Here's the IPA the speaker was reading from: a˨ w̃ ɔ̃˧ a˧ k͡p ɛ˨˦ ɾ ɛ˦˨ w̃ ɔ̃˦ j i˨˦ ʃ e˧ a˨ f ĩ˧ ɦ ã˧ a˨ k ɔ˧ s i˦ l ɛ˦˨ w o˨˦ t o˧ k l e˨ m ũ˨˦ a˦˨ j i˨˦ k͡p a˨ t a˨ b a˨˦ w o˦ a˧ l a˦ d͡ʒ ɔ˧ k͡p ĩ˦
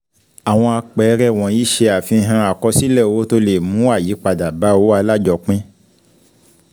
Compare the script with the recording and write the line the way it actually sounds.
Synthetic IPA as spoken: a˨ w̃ ɔ̃˧ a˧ k͡p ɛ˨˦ ɾ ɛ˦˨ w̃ ɔ̃˨ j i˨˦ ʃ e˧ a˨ f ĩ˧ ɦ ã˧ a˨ k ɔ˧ s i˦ l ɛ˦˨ w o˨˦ t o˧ l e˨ m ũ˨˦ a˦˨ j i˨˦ k͡p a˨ d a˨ b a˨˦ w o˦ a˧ l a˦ d͡ʒ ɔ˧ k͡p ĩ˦

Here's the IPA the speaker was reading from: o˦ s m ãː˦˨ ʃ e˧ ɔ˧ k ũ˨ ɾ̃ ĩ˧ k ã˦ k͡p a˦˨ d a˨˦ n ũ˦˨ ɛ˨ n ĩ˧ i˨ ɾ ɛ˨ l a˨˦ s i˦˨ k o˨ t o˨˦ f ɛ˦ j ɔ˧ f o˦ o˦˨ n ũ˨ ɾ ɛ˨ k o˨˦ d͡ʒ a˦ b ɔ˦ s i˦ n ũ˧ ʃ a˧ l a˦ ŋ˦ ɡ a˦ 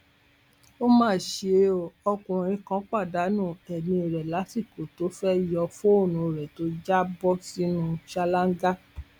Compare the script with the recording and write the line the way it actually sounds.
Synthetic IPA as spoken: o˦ m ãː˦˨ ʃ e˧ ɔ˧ k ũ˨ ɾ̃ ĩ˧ k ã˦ k͡p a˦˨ d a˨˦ n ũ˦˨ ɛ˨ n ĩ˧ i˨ ɾ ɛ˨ l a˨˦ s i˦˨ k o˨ t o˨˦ f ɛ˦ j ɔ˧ f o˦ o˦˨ n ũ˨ ɾ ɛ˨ t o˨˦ d͡ʒ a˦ b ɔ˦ s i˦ n ũ˧ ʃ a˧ l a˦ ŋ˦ ɡ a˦

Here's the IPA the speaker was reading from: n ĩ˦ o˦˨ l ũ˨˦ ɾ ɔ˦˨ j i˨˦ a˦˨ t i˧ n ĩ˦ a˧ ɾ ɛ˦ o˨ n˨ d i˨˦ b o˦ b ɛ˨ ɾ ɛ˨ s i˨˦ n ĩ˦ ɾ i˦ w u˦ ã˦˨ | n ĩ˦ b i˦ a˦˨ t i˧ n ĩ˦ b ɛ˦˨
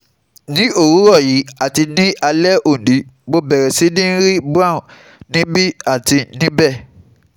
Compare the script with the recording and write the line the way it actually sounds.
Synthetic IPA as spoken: n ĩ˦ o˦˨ ɾ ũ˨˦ ɾ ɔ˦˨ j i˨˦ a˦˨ t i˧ n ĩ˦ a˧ l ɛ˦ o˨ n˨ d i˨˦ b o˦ b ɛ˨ ɾ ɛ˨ s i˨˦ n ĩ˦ ɾ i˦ b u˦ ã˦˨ | n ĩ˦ b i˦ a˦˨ t i˧ n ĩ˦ b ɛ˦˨

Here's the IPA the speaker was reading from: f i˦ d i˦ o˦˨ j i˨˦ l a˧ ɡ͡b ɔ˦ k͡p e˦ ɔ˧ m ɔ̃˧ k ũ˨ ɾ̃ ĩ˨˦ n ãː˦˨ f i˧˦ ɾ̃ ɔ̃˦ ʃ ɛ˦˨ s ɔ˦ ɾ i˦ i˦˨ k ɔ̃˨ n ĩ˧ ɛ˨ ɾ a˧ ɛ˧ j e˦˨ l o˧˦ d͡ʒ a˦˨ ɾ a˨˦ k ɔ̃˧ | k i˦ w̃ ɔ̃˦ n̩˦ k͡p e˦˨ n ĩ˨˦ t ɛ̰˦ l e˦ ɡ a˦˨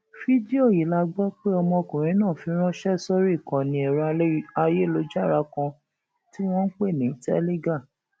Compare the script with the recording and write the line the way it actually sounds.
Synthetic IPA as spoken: f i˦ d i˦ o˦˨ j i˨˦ l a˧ ɡ͡b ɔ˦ k͡p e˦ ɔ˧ m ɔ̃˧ k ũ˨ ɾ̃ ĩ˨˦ n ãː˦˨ f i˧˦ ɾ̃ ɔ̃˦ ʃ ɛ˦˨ s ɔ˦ ɾ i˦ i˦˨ k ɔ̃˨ n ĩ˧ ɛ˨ ɾ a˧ a˧ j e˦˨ l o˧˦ d͡ʒ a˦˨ ɾ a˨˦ k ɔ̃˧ | t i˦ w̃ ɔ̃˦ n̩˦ k͡p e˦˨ n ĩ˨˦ t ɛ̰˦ l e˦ ɡ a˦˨

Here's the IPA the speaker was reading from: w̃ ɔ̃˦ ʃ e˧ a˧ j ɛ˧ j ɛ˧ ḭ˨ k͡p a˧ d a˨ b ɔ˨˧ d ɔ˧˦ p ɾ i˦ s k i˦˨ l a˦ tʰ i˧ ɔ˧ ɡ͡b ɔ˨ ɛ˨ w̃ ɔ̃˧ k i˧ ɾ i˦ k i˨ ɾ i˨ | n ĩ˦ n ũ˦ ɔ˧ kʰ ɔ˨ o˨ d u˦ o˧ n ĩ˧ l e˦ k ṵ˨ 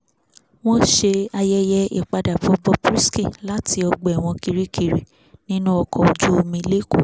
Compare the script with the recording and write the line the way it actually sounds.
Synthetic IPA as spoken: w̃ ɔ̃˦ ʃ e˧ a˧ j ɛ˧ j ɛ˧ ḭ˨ k͡p a˧ d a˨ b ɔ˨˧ b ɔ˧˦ p ɾ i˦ s k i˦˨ l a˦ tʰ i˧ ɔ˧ ɡ͡b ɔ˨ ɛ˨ w̃ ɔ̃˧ k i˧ ɾ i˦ k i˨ ɾ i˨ | n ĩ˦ n ũ˦ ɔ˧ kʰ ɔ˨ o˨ d͡ʒ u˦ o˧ m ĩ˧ l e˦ k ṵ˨

